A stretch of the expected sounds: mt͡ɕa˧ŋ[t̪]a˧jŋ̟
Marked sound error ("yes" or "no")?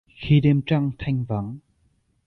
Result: yes